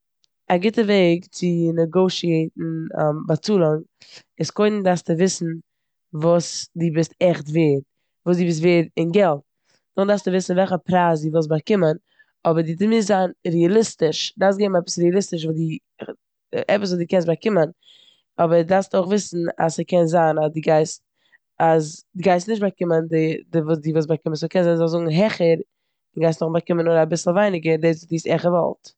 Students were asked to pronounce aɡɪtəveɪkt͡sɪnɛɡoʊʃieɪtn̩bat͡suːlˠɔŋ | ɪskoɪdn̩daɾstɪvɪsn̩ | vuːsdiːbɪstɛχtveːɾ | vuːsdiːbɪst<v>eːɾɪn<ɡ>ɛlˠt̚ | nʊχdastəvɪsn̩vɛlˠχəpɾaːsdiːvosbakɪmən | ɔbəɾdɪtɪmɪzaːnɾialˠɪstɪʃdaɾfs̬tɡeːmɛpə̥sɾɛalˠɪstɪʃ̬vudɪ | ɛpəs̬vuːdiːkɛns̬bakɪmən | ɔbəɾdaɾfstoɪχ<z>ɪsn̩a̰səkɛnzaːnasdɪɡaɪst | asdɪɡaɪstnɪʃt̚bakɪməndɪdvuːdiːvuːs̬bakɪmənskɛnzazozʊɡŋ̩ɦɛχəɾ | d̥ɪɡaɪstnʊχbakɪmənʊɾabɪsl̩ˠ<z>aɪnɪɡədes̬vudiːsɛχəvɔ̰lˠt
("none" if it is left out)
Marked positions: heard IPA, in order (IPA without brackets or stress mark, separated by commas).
v, ɡ, v, v